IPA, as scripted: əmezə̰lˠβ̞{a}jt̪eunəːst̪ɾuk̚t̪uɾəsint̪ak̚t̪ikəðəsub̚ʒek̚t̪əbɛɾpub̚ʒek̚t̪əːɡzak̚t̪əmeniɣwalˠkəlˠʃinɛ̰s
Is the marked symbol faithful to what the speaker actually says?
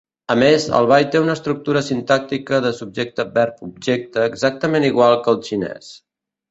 yes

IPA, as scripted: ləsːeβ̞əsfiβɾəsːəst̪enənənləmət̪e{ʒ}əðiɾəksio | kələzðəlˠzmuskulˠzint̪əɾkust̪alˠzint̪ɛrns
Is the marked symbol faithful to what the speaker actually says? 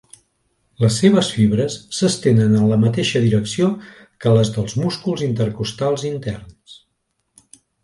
no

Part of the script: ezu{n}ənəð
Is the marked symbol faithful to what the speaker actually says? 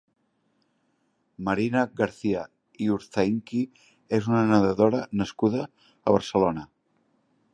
yes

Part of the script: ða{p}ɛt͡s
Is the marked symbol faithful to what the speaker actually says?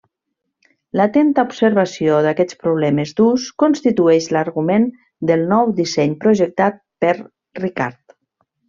no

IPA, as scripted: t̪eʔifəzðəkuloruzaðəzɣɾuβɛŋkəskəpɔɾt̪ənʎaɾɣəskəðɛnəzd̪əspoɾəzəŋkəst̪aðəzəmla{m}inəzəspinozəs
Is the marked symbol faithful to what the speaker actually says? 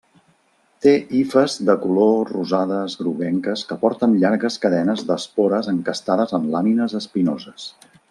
yes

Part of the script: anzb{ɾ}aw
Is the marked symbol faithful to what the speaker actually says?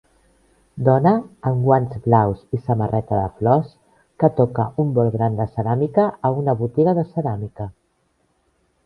no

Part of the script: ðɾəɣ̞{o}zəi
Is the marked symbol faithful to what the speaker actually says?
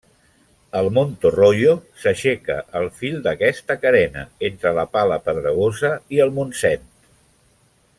yes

